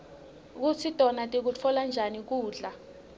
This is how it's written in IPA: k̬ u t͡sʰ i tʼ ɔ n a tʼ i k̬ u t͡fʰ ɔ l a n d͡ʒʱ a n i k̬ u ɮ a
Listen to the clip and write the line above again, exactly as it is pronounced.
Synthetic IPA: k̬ u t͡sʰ i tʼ ɔ n a tʼ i k̬ u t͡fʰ ɔ l a n d͡ʒʱ a n i k̬ uː ɮ a